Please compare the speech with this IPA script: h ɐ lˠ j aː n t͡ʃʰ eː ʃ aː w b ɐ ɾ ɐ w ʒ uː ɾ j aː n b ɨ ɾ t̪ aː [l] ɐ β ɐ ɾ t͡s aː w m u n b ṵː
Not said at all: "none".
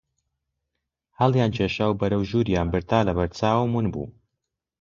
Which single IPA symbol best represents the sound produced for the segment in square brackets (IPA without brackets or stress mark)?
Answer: l